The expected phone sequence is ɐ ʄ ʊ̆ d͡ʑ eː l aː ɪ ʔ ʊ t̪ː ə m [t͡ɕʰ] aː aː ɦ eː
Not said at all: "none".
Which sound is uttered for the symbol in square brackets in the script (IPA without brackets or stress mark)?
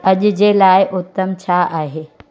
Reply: t͡ɕʰ